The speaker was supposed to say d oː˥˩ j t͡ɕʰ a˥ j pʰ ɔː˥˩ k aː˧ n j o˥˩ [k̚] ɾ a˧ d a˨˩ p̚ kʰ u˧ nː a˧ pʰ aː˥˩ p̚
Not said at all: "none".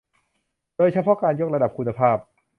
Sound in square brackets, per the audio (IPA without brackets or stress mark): k̚